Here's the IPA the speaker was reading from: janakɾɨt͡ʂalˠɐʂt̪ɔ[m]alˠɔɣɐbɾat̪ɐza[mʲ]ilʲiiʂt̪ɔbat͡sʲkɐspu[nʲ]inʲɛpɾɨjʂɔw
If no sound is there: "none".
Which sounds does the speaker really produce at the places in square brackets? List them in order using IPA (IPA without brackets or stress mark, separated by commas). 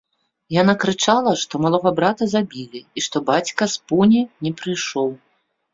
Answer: m, bʲ, nʲ